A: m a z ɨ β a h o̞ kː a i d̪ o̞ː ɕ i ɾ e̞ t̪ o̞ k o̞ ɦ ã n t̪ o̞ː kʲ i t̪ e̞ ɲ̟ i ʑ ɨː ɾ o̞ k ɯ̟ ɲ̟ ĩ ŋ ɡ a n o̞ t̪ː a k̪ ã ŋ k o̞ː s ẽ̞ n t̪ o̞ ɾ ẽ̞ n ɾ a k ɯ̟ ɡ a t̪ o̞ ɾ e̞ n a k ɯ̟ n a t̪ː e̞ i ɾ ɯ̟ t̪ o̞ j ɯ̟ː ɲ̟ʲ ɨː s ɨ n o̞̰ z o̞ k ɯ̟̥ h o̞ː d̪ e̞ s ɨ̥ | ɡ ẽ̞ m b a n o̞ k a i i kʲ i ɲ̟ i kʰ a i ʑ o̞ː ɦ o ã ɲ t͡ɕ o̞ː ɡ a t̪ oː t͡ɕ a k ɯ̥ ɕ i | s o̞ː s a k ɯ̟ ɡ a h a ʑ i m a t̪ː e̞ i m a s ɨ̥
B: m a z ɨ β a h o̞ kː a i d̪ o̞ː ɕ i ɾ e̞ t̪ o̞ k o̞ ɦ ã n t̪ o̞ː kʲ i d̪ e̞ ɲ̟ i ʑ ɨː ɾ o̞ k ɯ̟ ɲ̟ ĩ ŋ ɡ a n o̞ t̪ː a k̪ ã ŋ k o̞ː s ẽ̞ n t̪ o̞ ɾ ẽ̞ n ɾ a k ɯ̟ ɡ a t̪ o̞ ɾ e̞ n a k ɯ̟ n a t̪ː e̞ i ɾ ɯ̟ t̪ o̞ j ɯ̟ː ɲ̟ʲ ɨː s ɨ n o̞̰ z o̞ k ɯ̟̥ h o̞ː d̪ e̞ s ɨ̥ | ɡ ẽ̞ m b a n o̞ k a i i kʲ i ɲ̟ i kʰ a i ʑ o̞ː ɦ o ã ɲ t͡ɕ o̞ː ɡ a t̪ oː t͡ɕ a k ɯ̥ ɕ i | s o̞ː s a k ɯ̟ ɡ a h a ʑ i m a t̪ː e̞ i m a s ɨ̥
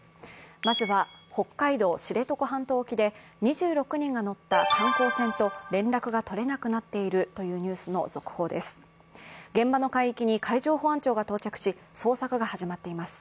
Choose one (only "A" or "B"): B